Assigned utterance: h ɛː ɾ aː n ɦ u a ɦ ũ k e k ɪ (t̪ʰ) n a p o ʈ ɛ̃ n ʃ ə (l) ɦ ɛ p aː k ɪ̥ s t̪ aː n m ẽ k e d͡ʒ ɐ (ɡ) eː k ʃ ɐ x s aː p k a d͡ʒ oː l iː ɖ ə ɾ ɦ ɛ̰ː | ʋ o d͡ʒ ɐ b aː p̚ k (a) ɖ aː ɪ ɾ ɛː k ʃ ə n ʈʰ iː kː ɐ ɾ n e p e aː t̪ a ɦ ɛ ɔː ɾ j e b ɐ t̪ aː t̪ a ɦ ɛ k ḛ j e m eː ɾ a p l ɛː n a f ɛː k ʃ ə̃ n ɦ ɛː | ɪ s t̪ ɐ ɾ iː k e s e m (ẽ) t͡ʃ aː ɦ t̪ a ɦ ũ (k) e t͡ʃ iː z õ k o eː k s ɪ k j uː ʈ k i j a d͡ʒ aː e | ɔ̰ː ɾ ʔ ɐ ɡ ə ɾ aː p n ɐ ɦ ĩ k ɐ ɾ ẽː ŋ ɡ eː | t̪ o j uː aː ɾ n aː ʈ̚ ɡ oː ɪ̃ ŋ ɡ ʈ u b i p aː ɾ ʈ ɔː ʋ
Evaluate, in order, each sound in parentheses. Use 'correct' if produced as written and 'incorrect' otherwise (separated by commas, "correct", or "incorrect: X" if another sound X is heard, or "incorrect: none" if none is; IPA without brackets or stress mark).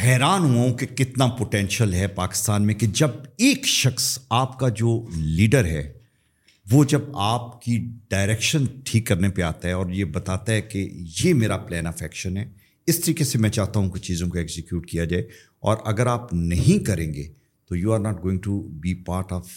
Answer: incorrect: t̪, correct, incorrect: b, incorrect: i, incorrect: ɛ̃, correct